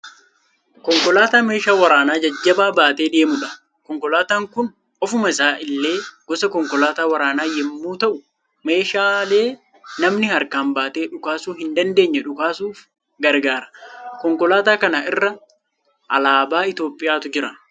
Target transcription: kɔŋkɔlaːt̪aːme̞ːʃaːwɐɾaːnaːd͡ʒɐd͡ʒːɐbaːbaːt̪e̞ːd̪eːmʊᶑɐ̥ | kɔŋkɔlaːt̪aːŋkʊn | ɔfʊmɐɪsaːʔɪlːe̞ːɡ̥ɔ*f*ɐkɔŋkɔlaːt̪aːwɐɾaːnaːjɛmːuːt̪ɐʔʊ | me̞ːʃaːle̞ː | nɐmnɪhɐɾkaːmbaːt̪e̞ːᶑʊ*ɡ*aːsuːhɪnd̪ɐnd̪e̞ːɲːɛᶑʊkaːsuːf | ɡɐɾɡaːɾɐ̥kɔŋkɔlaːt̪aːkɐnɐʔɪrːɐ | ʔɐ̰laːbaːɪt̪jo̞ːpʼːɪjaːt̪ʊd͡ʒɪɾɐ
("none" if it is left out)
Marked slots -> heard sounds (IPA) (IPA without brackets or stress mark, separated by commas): s, k